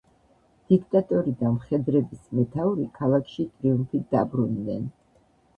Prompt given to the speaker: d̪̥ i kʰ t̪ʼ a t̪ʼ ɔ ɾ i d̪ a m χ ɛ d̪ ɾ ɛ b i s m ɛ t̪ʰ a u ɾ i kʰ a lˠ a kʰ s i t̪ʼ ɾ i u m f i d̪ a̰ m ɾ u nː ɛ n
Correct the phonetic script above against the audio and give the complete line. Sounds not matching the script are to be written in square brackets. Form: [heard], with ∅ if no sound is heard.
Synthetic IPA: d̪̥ i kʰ t̪ʼ a t̪ʼ ɔ ɾ i d̪ a m χ ɛ d̪ ɾ ɛ b i s m ɛ t̪ʰ a u ɾ i kʰ a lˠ a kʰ [ʃ] i t̪ʼ ɾ i u m f i d̪ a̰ [b] ɾ u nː ɛ n